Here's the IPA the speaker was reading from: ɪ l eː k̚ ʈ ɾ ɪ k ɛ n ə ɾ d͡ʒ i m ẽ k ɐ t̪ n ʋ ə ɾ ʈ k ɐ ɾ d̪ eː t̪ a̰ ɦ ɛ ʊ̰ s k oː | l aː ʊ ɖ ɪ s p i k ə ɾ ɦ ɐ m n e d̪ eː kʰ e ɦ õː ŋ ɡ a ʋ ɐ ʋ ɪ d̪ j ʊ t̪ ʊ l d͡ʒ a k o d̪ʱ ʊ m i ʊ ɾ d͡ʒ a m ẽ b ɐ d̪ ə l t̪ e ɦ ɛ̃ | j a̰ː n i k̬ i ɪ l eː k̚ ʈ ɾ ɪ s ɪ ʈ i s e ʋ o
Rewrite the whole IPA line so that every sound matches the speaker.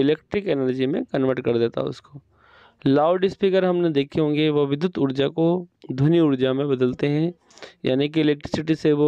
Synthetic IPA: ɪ l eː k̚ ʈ ɾ ɪ k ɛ n ə ɾ d͡ʒ i m ẽ k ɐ n ʋ ə ɾ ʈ k ɐ ɾ d̪ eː t̪ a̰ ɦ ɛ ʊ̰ s k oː | l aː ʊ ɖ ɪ s p i k ə ɾ ɦ ɐ m n e d̪ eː kʰ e ɦ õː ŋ ɡ e ʋ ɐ ʋ ɪ d̪ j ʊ t̪ ʊ ɾ d͡ʒ a k o d̪ʱ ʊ n i ʊ ɾ d͡ʒ a m ẽ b ɐ d̪ ə l t̪ e ɦ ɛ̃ | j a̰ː n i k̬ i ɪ l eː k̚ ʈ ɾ ɪ s ɪ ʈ i s e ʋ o